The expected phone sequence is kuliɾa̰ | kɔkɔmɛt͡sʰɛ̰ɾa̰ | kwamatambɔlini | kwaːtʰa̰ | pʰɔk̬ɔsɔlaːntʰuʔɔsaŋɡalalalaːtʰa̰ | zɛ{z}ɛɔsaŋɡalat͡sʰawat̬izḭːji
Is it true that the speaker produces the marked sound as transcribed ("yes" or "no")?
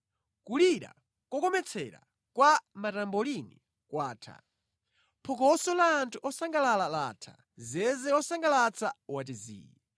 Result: yes